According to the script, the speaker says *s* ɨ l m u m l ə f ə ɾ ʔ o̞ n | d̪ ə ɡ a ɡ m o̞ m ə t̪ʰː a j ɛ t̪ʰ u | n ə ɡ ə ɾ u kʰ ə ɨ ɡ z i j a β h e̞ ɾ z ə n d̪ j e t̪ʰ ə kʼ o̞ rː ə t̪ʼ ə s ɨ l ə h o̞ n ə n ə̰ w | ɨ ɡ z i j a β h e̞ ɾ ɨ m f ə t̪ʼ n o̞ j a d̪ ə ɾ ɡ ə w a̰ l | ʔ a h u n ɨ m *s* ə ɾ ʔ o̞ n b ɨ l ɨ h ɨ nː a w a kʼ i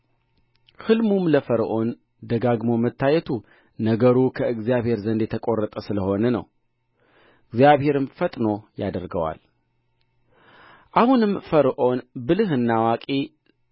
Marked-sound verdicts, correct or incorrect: incorrect: h, incorrect: f

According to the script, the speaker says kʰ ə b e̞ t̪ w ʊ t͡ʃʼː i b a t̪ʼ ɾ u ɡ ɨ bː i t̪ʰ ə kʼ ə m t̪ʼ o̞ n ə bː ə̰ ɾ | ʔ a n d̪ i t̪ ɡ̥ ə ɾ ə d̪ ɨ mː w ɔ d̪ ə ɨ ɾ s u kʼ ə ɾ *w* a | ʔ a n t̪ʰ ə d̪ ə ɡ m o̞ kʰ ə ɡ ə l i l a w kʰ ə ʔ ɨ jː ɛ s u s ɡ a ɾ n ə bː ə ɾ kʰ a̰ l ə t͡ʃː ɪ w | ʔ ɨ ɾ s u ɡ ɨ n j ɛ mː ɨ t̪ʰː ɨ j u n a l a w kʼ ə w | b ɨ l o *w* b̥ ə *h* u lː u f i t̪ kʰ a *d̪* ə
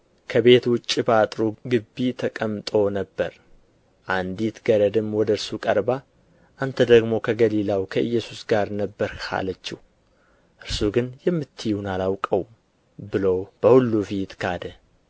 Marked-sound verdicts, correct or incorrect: incorrect: b, correct, correct, correct

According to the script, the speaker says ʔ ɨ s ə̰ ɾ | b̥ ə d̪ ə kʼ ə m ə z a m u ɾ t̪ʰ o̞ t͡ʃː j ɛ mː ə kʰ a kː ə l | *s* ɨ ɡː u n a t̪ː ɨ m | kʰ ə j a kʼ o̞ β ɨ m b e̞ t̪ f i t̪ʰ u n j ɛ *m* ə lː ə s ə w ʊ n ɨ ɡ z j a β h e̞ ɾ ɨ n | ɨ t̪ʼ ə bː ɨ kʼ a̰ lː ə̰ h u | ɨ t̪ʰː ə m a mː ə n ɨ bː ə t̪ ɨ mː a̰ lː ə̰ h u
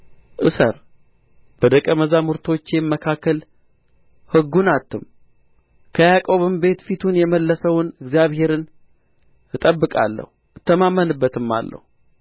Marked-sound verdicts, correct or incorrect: incorrect: h, correct

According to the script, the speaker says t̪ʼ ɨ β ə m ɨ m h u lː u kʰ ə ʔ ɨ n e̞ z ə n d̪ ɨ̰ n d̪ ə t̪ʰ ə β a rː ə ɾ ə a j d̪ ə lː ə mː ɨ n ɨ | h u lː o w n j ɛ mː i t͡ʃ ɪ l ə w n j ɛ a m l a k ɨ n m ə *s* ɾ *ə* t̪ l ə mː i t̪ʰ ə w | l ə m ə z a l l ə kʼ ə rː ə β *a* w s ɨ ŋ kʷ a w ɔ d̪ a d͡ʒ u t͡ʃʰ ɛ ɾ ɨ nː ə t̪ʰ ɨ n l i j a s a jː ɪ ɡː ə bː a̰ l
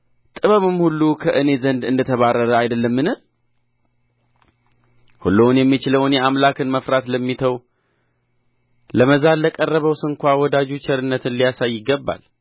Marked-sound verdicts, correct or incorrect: incorrect: f, incorrect: a, incorrect: ə

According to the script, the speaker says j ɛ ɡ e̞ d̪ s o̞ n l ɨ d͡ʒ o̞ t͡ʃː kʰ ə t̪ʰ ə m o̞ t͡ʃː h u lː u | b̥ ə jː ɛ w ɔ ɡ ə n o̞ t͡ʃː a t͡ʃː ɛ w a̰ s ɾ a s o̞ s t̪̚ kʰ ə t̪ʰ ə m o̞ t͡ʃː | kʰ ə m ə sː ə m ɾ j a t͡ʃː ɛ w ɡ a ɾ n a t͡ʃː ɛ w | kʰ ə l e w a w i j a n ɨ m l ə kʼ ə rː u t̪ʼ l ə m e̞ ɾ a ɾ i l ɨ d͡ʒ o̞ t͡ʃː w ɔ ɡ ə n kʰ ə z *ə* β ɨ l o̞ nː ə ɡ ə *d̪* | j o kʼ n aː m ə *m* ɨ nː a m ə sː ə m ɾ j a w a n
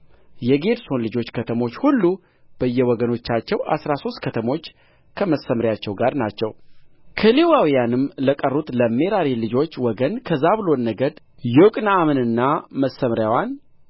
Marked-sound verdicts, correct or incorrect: incorrect: a, correct, incorrect: n

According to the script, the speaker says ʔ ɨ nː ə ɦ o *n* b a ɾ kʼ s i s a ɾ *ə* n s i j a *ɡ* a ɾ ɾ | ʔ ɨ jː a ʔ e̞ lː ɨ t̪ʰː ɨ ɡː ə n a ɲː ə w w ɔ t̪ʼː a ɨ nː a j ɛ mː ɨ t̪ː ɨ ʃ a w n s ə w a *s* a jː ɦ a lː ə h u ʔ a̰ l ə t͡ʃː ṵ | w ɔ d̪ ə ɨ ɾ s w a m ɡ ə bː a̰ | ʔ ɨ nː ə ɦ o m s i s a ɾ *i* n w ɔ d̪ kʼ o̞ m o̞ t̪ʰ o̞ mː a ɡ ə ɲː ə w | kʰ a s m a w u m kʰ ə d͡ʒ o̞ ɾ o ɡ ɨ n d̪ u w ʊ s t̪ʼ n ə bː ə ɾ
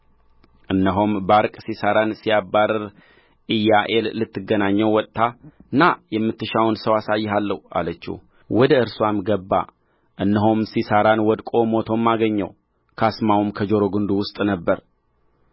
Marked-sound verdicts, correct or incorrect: incorrect: m, incorrect: a, incorrect: b, correct, incorrect: a

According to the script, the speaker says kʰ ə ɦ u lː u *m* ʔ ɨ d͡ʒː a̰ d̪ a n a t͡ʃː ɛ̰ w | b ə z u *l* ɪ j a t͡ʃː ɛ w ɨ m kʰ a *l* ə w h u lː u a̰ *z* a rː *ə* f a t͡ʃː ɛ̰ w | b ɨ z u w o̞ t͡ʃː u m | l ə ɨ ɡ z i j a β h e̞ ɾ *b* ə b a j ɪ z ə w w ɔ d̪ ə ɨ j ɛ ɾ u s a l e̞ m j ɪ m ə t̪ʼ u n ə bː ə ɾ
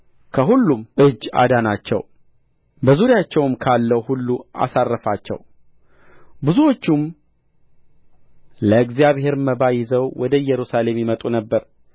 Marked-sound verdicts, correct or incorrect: correct, incorrect: ɾ, incorrect: lː, incorrect: s, correct, incorrect: m

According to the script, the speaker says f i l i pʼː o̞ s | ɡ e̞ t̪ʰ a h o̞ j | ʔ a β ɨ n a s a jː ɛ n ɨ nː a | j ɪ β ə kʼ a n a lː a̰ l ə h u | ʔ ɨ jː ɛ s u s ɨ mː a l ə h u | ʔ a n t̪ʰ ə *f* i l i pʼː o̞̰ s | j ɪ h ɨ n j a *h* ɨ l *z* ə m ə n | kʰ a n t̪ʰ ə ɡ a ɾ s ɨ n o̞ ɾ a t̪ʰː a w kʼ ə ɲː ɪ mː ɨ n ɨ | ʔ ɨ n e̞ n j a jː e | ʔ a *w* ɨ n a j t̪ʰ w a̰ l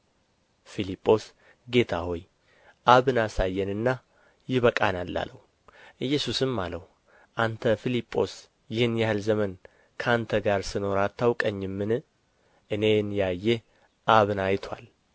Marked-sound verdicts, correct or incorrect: correct, correct, correct, incorrect: β

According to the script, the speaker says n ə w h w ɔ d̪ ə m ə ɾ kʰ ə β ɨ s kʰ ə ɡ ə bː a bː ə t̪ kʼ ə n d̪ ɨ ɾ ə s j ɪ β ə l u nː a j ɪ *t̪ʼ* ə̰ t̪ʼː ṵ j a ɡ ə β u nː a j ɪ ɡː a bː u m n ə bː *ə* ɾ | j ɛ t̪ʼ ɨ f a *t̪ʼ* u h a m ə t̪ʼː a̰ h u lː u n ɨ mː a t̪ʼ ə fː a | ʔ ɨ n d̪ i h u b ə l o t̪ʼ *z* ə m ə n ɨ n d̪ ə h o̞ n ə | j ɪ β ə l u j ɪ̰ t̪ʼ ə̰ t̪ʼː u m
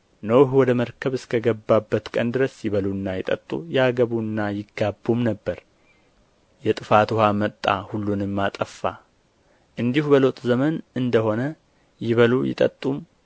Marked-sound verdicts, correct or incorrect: correct, correct, incorrect: t̪, correct

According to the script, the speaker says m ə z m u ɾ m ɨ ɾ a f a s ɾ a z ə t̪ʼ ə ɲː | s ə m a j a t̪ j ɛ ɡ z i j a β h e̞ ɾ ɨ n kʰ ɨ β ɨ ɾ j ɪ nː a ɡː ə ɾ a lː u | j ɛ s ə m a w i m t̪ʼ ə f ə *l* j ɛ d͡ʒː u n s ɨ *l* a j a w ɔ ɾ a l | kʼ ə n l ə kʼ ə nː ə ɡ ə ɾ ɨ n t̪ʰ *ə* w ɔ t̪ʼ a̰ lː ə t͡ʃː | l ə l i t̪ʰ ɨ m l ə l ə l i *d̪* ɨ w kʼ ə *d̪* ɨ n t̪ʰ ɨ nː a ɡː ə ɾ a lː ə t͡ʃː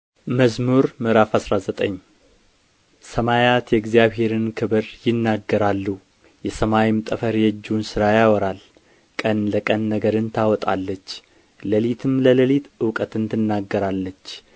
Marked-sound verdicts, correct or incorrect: incorrect: ɾ, incorrect: ɾ, incorrect: a, incorrect: t̪, incorrect: t̪

